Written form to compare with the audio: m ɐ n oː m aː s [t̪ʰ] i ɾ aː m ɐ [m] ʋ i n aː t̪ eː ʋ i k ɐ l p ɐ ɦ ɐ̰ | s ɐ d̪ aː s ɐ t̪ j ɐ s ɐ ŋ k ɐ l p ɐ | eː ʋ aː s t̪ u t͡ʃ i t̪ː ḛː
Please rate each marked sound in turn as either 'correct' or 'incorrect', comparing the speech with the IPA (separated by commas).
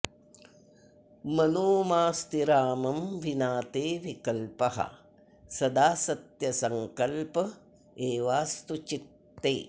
incorrect, correct